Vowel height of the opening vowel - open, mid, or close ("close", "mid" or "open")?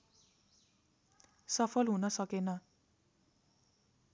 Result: mid